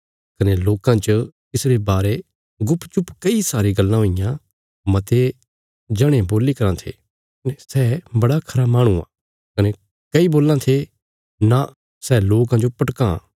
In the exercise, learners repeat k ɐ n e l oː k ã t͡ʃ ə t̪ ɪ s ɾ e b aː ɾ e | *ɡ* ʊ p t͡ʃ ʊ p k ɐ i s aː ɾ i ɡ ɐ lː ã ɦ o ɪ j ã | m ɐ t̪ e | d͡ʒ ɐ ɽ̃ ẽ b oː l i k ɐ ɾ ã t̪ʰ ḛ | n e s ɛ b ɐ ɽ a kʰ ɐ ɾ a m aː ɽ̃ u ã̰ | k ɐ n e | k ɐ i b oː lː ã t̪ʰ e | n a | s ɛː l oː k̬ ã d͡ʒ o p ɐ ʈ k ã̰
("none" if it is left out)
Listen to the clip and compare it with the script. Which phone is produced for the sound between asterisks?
ɡ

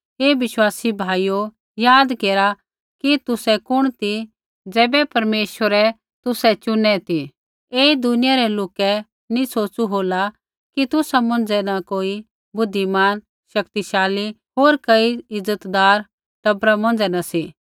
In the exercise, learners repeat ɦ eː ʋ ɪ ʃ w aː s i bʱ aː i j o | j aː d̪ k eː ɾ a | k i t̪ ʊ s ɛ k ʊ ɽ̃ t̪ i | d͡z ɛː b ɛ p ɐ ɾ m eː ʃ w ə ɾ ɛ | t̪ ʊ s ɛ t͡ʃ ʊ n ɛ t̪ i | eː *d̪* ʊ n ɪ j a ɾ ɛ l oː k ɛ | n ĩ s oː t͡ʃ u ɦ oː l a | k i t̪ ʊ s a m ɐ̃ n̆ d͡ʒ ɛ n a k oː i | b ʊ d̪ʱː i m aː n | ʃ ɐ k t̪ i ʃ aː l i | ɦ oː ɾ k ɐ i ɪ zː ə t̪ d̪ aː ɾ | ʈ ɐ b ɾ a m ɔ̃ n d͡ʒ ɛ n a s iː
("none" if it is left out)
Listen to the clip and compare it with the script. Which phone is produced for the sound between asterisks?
d̪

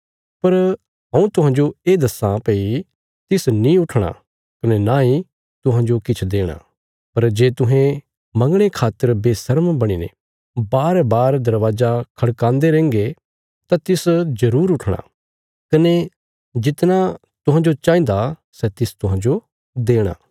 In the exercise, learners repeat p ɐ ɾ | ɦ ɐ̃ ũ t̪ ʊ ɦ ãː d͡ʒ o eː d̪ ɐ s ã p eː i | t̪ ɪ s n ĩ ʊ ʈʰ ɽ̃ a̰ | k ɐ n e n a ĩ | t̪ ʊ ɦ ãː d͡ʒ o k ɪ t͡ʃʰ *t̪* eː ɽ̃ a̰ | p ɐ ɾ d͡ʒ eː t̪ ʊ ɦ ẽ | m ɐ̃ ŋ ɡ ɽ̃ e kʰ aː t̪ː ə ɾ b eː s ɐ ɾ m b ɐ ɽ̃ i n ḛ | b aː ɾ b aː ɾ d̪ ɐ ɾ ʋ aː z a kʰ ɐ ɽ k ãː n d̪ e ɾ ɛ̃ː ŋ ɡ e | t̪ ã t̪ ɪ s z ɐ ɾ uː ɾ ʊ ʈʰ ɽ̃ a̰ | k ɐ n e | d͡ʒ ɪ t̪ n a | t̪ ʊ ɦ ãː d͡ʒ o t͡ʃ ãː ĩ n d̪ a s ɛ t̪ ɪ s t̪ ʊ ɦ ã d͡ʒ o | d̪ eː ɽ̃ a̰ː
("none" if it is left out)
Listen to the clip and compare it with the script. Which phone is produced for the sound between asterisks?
d̪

